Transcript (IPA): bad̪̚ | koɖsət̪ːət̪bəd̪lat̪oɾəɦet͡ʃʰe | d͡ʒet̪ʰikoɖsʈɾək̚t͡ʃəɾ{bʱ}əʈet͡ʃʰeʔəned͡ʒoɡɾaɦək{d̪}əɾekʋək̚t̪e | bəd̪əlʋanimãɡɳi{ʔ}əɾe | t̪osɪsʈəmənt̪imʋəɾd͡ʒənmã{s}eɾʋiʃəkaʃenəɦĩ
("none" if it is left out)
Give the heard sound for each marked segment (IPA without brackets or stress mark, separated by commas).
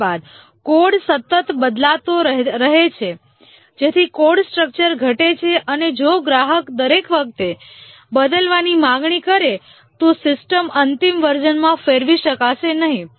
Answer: ɡʱ, d̪, k, f